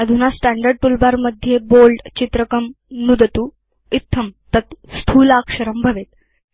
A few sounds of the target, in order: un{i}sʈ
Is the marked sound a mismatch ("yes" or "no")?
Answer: yes